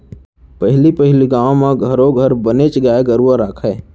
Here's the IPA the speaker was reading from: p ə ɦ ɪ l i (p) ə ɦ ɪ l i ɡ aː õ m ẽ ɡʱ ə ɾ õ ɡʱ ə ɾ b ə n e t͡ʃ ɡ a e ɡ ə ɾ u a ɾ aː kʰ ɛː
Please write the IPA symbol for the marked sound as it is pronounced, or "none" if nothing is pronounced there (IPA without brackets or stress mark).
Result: p